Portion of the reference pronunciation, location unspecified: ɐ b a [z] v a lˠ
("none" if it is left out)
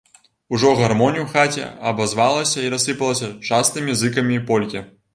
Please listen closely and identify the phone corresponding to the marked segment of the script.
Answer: z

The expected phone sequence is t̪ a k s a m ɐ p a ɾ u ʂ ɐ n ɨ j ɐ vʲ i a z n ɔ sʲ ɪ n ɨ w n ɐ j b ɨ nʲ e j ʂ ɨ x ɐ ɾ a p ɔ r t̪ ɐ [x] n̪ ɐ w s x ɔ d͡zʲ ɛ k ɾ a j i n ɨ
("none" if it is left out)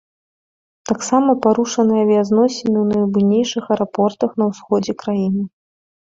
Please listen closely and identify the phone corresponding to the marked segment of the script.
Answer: x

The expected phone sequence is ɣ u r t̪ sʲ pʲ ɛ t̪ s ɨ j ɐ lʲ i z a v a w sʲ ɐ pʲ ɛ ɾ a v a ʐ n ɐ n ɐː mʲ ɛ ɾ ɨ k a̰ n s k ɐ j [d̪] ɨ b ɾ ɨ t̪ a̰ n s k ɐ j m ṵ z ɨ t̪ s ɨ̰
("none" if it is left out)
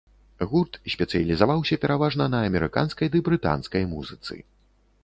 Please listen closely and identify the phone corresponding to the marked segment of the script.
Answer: d̪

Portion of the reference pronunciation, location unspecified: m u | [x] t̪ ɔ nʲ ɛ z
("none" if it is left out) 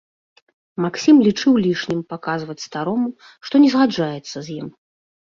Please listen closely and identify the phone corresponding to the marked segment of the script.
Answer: ʂ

